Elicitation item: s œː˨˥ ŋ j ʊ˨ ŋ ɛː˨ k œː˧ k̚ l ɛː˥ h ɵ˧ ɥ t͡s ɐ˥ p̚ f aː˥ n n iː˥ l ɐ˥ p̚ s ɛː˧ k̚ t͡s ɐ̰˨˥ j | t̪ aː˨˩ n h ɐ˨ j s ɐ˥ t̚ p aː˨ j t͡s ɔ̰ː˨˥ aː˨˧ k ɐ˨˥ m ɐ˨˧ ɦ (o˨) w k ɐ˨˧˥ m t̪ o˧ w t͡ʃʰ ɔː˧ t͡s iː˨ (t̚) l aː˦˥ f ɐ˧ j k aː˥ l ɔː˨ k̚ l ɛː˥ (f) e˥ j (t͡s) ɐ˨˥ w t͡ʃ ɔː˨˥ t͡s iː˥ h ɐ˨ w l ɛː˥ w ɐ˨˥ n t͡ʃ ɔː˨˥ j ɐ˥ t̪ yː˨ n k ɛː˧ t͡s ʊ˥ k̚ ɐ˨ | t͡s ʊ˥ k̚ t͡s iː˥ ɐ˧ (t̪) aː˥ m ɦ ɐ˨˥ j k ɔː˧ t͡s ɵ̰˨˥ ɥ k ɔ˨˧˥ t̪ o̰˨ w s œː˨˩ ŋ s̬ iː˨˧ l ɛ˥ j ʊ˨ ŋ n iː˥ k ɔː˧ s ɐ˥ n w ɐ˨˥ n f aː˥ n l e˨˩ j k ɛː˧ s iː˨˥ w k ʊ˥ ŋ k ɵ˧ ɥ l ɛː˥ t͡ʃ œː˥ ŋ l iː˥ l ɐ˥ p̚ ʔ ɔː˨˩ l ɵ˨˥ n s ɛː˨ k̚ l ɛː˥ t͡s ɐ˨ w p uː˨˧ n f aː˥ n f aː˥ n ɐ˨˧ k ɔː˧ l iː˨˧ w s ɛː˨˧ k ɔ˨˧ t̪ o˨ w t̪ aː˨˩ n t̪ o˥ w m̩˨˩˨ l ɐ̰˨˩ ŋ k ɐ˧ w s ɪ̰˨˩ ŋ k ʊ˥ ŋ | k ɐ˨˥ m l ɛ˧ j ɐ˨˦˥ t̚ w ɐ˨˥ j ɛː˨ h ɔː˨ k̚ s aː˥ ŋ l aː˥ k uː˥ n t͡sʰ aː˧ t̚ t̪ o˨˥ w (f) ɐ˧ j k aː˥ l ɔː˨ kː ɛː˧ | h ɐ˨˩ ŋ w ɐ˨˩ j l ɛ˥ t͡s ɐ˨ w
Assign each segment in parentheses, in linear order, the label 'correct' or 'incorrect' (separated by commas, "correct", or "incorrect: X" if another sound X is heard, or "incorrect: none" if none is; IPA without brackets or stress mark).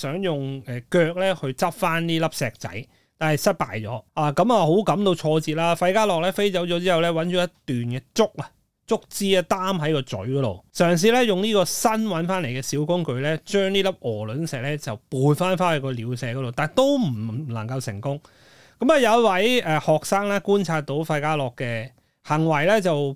incorrect: o˨˥, correct, correct, correct, correct, correct